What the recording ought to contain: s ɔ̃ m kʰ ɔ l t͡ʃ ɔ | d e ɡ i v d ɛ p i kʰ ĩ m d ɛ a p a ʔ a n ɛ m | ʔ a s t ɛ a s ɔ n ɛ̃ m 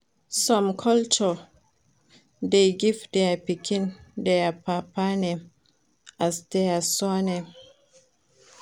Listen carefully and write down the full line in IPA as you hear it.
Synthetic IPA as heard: s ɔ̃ m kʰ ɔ l t͡ʃ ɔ | d e ɡ i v d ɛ p i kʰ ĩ n d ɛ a p a p a n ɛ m | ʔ a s d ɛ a s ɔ n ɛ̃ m